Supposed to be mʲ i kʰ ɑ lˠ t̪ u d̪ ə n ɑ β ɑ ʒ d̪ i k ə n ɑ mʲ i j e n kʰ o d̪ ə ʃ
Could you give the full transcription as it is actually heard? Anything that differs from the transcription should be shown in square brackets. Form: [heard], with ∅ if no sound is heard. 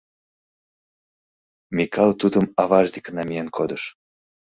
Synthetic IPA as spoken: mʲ i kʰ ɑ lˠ t̪ u d̪ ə [m] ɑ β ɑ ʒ d̪ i k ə n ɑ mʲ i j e n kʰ o d̪ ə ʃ